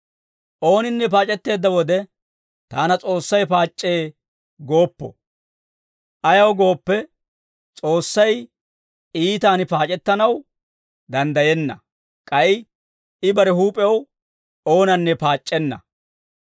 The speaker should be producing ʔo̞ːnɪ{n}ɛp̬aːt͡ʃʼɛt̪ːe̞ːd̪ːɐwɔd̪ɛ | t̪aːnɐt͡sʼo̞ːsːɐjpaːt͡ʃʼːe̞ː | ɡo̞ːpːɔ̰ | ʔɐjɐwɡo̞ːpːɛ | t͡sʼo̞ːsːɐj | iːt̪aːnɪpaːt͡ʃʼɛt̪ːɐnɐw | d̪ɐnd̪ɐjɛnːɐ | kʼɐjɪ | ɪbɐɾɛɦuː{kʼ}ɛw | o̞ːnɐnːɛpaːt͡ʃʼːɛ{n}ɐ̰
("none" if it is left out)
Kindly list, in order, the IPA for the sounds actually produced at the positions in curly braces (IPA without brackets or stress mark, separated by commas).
nː, pʼ, nː